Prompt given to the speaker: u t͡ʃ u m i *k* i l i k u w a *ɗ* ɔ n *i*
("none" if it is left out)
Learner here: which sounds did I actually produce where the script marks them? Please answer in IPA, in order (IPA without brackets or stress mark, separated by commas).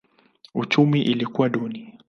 ʔ, ɗ, i